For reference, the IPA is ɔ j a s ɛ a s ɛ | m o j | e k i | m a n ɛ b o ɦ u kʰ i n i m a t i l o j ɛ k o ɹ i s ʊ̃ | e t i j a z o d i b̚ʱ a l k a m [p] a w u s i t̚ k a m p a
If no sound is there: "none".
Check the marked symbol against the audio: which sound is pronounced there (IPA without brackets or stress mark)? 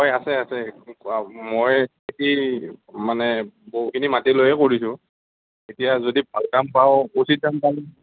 p